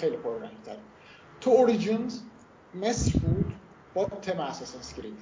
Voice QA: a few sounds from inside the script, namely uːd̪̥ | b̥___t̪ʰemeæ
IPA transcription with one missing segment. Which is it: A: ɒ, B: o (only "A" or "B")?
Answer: A